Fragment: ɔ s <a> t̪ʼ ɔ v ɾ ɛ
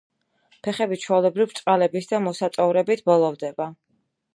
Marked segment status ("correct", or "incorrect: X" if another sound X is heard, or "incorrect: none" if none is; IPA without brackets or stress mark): correct